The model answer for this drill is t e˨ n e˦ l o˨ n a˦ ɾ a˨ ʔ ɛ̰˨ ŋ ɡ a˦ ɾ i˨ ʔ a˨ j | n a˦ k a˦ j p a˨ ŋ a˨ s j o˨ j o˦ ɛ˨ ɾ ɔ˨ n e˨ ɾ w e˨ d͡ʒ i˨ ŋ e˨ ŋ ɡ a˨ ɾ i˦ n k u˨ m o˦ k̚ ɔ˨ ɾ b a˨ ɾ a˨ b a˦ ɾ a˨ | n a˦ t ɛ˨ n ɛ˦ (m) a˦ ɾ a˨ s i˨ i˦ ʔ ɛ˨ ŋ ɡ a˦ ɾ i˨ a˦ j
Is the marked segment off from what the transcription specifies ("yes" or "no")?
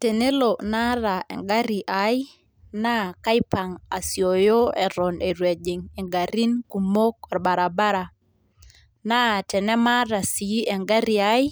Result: no